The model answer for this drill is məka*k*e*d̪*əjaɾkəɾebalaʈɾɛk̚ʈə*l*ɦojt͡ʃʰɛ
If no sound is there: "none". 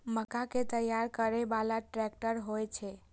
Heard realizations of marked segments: k, t̪, ɾ

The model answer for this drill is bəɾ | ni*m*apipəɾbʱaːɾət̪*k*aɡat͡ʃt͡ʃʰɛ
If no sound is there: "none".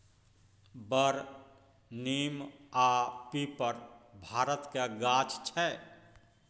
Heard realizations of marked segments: m, k

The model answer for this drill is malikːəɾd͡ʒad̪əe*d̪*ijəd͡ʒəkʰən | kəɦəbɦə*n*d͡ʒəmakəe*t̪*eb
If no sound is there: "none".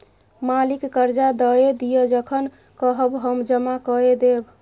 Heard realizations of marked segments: d̪, m, d̪

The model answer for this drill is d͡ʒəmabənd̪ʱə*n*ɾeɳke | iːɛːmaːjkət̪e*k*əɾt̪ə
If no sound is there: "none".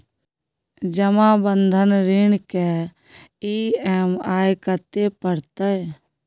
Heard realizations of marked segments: n, p

